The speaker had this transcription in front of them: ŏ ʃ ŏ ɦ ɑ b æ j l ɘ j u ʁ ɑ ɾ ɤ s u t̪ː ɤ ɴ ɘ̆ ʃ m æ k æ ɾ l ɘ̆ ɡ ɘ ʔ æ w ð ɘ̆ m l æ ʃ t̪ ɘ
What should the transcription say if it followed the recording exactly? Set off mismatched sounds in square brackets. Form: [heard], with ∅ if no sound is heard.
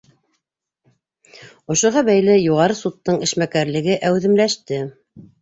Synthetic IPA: ŏ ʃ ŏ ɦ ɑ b æ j l ɘ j u ʁ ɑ ɾ ɤ s u t̪ː ɤ ɴ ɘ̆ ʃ m æ k æ ɾ l ɘ̆ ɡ ɘ ʔ æ w ð ɘ̆ m l æ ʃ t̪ ɘ